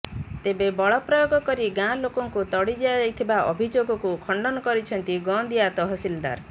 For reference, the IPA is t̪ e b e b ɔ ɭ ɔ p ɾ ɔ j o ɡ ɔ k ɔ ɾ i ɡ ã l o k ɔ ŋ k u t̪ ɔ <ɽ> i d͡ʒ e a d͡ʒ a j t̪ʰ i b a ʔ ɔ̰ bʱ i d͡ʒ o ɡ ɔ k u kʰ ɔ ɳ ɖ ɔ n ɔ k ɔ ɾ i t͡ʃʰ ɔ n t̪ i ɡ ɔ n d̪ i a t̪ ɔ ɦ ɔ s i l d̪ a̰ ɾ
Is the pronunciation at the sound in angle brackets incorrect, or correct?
correct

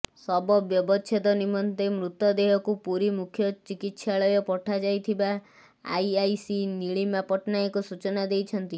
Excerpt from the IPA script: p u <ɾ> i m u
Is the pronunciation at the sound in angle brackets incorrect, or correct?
correct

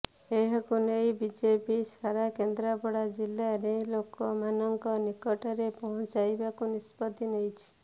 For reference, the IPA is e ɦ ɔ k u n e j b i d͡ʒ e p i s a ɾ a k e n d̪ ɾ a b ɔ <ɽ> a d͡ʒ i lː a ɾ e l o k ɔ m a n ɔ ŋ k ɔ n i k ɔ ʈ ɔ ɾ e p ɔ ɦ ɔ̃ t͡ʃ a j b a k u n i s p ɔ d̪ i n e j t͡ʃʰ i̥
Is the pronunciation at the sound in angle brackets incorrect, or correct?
correct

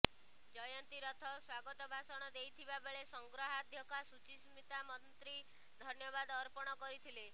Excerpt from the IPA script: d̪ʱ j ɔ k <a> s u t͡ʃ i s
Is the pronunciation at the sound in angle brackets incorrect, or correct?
correct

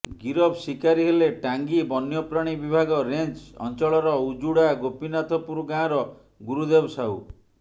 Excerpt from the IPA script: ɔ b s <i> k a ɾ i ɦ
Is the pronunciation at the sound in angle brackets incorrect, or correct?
correct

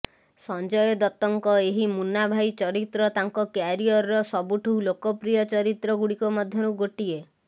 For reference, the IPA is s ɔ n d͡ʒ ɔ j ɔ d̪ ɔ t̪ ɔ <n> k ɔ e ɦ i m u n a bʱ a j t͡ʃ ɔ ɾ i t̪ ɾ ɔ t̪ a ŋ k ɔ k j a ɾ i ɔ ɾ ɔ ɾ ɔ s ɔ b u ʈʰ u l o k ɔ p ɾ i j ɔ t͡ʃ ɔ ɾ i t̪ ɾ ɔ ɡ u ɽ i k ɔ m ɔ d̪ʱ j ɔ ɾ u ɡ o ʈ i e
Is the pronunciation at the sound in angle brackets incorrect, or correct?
incorrect: ŋ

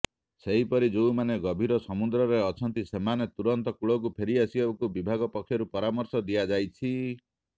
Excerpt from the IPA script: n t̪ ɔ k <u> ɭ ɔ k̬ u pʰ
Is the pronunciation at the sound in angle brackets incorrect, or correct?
correct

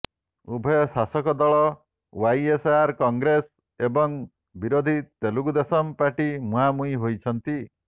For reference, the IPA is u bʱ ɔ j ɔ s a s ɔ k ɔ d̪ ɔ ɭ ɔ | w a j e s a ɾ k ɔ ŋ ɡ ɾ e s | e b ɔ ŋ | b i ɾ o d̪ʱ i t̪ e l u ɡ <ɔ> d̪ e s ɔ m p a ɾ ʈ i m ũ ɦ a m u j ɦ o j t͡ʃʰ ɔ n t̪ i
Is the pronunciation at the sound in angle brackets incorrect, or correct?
incorrect: u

